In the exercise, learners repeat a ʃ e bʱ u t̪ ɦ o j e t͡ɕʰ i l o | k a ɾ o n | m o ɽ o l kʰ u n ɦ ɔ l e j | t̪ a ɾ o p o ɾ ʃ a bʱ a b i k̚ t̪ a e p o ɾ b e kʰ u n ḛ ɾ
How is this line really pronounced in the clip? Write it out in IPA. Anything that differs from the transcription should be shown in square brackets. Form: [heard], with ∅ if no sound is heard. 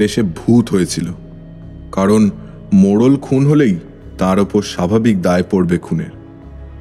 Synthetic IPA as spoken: [e] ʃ e bʱ u t̪ ɦ o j e t͡ɕʰ i l o | k a ɾ o n | m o ɽ o l kʰ u n ɦ [o] l e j | t̪ a ɾ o p o ɾ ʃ a bʱ a b i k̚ [d̪] a e p o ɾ b e kʰ u n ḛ ɾ